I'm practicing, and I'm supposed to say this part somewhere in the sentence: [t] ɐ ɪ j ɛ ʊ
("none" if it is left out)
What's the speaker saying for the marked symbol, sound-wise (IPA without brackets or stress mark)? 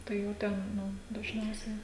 t